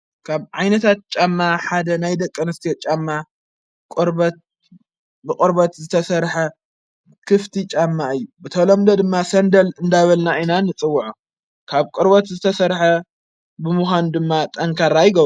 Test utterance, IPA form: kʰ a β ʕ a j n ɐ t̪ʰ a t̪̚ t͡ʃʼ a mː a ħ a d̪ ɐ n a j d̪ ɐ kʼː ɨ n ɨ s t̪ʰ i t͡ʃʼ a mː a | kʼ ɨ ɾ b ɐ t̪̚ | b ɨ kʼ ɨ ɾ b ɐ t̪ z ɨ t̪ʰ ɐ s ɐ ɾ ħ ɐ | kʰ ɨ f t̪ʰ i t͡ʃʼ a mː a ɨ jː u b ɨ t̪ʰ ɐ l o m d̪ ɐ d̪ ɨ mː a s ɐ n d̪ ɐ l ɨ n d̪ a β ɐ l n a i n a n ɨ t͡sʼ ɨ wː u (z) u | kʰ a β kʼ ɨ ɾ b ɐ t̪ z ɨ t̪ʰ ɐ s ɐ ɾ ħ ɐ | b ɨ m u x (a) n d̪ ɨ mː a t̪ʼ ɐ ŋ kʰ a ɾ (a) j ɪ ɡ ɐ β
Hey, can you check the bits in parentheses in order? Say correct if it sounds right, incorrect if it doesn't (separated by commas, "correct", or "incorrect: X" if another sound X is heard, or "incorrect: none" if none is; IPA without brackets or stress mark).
incorrect: ʕ, correct, correct